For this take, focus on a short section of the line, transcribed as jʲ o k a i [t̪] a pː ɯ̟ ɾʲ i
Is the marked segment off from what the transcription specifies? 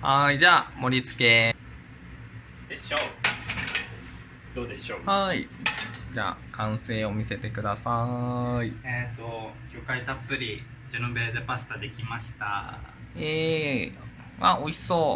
no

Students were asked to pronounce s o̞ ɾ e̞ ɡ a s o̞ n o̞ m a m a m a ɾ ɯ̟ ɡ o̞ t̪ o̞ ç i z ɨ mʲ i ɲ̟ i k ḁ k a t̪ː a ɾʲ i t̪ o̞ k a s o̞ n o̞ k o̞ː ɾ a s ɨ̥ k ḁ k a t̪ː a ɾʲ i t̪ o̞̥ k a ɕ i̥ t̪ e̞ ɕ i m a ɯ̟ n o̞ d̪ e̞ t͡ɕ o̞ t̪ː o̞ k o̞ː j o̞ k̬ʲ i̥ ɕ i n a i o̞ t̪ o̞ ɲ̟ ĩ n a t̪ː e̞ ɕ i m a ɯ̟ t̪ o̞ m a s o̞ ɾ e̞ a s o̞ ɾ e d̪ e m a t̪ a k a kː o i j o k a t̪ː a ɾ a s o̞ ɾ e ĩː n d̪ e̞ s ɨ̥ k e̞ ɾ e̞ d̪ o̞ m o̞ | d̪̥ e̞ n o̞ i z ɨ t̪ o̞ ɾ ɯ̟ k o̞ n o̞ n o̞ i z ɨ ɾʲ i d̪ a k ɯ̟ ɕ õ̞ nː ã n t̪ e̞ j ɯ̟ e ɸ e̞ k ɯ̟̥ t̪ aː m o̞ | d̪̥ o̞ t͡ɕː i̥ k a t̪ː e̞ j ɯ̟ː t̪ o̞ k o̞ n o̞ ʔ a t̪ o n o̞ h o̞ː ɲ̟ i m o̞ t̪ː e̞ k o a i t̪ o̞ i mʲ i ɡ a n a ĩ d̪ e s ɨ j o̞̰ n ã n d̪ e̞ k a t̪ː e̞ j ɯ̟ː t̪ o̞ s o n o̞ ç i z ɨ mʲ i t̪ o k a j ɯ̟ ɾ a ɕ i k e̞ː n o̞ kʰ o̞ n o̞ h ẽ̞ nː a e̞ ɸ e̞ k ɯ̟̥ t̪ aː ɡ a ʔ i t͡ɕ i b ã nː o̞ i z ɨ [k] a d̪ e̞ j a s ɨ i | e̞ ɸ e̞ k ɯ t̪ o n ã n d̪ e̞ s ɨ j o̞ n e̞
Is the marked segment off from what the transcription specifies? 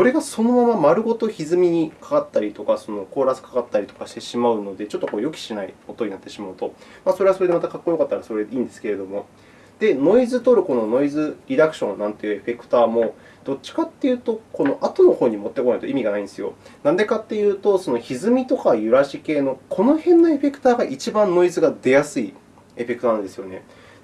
yes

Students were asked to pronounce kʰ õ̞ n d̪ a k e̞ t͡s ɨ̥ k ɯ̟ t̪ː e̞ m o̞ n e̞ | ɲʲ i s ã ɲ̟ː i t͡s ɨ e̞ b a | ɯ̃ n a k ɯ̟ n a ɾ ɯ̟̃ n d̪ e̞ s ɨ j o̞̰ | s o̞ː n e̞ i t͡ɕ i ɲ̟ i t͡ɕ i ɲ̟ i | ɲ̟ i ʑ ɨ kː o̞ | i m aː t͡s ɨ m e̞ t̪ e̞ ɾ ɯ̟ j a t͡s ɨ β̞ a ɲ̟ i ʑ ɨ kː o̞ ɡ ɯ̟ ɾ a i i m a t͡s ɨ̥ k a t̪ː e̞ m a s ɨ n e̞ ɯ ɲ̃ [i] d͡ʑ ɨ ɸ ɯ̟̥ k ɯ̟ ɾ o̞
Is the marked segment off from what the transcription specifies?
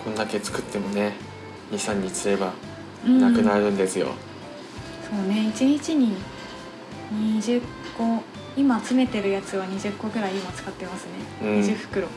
no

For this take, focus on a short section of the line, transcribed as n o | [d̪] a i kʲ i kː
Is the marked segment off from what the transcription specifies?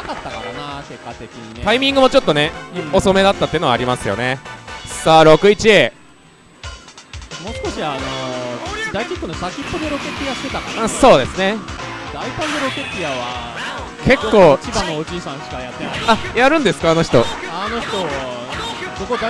no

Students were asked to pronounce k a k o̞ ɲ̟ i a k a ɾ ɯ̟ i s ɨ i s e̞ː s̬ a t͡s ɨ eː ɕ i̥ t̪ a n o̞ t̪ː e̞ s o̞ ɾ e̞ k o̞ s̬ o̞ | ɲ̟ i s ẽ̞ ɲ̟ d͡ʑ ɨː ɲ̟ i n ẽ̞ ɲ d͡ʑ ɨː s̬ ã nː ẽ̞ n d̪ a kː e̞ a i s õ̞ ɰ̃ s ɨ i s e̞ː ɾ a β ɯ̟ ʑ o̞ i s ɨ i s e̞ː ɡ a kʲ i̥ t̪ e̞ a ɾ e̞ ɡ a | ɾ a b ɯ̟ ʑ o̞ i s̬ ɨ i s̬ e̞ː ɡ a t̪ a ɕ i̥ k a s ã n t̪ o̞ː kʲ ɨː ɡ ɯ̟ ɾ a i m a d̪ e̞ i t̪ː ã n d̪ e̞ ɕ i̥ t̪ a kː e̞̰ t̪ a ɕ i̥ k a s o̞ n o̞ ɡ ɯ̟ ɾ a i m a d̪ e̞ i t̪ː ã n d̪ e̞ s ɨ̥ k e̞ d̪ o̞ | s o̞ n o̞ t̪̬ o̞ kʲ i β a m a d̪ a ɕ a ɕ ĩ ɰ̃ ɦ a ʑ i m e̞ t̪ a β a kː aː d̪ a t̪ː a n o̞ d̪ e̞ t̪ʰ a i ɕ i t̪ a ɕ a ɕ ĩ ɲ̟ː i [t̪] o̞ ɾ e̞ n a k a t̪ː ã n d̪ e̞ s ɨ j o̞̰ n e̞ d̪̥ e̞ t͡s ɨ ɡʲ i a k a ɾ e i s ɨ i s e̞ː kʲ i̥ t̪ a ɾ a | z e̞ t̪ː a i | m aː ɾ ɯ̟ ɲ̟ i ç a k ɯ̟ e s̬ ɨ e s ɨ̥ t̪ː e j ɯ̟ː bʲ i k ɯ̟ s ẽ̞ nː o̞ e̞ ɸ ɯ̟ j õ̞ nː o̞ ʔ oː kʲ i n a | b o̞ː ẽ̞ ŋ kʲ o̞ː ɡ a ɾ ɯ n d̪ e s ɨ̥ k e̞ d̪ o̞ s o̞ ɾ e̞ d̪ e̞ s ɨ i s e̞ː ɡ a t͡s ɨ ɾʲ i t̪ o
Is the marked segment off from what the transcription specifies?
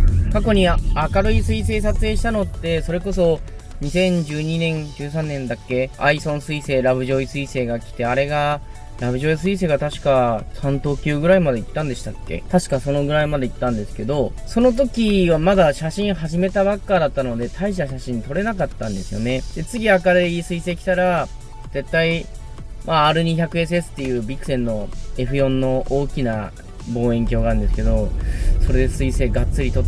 no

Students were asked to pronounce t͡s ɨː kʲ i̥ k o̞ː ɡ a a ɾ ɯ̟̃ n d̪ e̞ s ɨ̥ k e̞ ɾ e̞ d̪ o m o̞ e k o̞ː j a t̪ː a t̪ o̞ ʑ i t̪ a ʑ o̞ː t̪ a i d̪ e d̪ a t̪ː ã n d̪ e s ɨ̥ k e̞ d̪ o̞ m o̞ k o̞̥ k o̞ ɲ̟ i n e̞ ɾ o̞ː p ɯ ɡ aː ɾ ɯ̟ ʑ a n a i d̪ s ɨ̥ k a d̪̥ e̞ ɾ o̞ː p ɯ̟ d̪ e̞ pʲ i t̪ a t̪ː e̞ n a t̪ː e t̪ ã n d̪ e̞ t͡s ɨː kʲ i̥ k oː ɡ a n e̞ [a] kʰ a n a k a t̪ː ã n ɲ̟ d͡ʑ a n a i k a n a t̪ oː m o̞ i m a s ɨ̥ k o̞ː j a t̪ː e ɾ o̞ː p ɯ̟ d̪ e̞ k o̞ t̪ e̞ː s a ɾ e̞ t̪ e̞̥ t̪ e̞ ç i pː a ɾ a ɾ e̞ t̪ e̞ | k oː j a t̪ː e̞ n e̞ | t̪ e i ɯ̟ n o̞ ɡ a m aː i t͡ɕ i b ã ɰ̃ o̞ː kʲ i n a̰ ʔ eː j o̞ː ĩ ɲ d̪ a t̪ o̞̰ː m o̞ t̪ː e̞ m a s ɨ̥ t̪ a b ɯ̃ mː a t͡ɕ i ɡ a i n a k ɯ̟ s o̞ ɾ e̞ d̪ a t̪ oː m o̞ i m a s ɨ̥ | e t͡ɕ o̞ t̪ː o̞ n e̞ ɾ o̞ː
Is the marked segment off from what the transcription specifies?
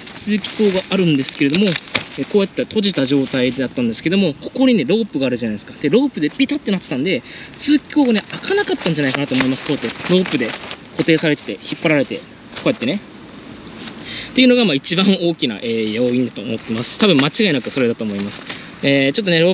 no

